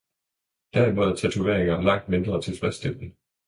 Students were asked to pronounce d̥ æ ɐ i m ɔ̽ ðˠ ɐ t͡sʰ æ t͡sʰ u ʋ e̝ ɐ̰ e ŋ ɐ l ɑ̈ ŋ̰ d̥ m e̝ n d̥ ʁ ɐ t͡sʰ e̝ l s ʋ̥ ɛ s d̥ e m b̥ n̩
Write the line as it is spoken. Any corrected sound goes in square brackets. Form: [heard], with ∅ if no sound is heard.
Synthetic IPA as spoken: d̥ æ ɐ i m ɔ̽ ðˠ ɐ t͡sʰ æ t͡sʰ u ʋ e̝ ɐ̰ e ŋ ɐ l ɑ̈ ŋ̰ d̥ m e̝ n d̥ ʁ ɐ t͡sʰ e̝ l s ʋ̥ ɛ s d̥ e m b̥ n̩